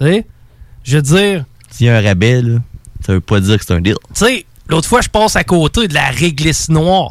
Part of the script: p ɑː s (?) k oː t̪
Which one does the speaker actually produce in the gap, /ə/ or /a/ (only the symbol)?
a